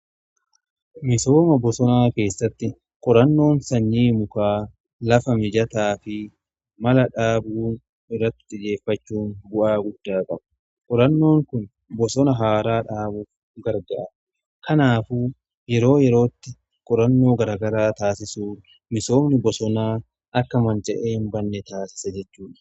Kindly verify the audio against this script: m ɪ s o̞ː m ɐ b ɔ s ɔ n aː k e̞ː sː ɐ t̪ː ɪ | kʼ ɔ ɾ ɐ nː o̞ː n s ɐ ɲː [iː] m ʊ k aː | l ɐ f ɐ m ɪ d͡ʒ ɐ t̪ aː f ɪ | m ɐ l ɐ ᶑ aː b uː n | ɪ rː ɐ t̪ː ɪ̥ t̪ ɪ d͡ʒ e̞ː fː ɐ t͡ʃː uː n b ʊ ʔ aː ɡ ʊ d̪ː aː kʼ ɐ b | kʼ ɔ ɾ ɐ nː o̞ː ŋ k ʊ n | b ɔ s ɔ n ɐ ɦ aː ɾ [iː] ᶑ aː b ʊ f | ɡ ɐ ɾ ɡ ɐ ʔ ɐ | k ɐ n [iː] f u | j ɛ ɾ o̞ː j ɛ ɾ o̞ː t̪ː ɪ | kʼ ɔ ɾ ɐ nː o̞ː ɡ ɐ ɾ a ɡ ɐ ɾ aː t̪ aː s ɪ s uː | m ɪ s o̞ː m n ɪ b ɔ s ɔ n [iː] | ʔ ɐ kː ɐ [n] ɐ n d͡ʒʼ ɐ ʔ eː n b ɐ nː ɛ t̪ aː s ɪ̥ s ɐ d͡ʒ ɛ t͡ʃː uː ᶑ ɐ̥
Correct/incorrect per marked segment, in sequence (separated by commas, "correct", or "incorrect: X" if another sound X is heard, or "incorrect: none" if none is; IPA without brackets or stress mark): correct, incorrect: aː, incorrect: aː, incorrect: aː, incorrect: m